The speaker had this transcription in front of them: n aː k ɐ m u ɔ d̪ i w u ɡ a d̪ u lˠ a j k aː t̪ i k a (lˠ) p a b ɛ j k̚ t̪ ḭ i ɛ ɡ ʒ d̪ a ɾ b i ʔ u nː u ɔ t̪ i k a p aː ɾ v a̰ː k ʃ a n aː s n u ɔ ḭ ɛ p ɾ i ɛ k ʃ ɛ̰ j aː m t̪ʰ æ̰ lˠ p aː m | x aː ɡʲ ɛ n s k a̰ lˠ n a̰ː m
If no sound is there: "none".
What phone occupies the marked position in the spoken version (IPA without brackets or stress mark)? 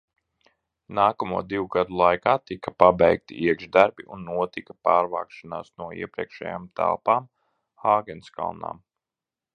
none